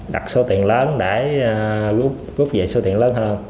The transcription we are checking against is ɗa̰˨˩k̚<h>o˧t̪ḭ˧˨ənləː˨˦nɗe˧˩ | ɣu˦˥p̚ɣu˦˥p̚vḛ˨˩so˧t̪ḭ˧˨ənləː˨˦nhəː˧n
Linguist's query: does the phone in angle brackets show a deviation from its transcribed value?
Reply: yes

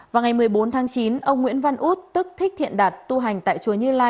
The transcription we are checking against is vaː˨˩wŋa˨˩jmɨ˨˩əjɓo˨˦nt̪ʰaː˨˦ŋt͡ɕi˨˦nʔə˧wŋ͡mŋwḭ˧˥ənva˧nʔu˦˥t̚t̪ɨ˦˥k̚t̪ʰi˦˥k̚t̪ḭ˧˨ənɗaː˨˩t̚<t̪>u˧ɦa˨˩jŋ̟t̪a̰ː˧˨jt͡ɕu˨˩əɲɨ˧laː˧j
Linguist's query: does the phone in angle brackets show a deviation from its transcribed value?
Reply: no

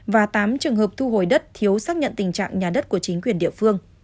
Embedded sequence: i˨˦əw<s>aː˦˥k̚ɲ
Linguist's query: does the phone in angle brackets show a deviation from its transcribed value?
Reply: no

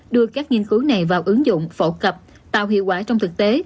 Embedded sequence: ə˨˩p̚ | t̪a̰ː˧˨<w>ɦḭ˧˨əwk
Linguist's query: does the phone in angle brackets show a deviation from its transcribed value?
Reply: no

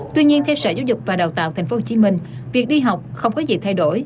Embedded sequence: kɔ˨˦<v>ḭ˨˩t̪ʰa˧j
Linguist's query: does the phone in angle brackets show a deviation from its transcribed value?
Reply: yes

